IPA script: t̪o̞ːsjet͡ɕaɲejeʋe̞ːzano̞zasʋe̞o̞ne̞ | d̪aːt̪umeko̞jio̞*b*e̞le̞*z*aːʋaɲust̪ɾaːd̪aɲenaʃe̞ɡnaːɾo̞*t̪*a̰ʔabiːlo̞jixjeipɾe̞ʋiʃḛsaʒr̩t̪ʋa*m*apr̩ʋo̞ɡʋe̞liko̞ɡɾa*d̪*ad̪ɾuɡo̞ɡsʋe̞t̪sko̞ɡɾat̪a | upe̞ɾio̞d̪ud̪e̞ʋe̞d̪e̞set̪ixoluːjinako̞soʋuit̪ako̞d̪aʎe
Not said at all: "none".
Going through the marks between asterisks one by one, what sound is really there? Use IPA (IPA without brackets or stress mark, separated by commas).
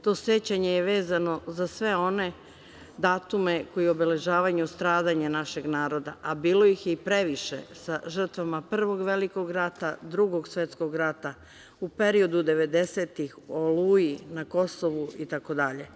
b, ʒ, d̪, m, t̪